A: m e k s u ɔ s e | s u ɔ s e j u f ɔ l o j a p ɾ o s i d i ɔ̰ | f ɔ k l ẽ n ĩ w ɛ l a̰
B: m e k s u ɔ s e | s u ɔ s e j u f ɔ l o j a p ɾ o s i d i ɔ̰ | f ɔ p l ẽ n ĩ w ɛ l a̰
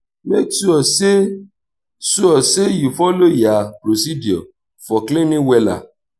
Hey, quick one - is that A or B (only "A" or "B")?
A